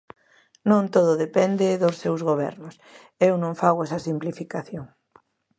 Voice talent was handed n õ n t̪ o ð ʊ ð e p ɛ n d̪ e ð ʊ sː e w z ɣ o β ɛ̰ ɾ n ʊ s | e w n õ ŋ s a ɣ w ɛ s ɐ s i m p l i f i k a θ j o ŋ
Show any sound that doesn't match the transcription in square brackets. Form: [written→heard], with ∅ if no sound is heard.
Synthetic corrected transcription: n õ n t̪ o ð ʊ ð e p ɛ n d̪ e ð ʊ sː e w z ɣ o β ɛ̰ ɾ n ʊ s | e w n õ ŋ [s→f] a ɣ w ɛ s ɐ s i m p l i f i k a θ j o ŋ